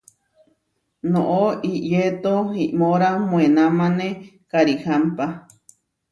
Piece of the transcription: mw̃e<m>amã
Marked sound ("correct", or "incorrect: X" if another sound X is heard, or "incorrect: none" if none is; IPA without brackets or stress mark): incorrect: n